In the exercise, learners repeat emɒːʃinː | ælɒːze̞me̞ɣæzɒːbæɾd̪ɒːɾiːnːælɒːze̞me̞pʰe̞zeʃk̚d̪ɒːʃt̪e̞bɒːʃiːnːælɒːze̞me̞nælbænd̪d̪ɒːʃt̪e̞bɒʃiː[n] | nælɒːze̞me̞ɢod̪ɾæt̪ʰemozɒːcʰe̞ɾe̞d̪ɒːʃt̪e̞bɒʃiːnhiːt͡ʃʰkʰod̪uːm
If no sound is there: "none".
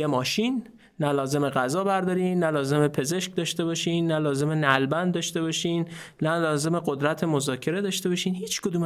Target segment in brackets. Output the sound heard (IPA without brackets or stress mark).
n